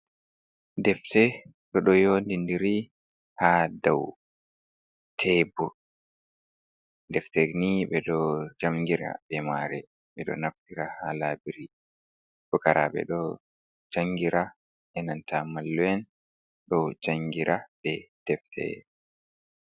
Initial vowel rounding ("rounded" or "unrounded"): unrounded